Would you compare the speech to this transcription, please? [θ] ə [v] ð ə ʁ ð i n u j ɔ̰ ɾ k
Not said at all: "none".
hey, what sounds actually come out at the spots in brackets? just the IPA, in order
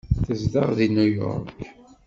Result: θ, z

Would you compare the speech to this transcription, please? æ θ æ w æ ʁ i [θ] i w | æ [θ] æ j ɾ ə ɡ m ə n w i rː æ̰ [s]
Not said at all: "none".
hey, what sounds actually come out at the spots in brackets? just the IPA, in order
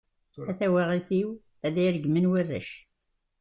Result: θ, ð, ʃ

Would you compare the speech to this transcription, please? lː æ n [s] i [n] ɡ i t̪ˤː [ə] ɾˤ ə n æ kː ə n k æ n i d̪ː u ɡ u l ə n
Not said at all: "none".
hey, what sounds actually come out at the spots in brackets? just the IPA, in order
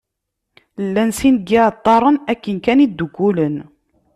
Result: s, n, ɑ

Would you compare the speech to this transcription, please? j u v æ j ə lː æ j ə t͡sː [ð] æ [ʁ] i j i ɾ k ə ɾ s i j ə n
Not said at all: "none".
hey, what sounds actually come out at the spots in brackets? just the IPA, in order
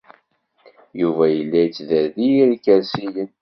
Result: ð, ð

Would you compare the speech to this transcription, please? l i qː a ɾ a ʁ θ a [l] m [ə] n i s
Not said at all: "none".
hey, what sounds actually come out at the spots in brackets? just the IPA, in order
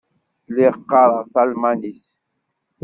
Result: l, a

